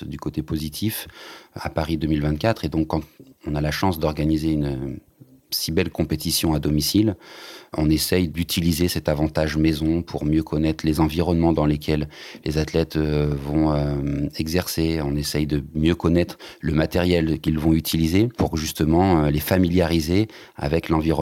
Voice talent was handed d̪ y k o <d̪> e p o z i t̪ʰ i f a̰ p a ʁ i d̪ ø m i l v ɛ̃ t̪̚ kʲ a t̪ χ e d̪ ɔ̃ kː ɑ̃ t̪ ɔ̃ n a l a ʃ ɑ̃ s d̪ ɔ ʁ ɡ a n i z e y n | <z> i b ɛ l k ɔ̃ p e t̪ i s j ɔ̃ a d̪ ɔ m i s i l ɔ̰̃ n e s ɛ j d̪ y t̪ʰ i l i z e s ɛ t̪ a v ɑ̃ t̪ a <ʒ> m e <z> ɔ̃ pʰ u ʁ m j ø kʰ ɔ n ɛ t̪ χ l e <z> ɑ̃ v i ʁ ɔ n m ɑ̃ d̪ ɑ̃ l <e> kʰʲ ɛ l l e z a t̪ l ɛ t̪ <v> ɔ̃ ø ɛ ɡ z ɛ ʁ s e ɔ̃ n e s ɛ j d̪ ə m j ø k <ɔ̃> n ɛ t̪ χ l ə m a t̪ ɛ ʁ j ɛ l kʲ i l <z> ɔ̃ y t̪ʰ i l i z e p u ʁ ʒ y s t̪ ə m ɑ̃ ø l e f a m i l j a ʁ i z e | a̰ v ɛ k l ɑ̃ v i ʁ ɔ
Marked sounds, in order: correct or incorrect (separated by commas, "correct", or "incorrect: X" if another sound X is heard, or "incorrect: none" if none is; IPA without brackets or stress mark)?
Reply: incorrect: t̪, incorrect: s, correct, correct, correct, correct, correct, incorrect: ɔ, incorrect: v